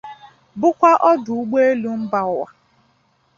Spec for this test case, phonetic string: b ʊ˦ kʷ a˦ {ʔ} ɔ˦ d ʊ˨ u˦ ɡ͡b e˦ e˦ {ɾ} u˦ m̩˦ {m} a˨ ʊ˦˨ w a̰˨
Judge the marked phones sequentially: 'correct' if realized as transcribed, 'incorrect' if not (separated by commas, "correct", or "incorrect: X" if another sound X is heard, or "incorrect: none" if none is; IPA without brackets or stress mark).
correct, incorrect: l, incorrect: b